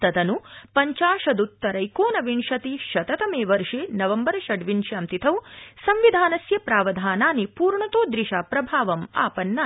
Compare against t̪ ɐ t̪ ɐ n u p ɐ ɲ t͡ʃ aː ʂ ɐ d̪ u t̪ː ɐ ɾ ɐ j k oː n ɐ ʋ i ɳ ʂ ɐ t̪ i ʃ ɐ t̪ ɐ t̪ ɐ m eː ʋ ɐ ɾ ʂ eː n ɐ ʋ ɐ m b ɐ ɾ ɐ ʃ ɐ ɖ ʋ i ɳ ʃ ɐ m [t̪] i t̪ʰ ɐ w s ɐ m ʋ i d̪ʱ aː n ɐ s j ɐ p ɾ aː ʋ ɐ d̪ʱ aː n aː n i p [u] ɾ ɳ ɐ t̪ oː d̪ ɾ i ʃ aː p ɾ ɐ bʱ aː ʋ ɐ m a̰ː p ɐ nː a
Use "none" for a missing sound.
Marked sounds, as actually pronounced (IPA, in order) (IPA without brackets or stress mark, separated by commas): t̪, uː